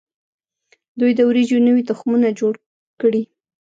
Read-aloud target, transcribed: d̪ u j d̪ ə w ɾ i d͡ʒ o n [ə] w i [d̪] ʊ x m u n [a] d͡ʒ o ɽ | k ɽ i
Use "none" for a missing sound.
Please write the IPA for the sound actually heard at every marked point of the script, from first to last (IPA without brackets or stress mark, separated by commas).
ə, t̪, a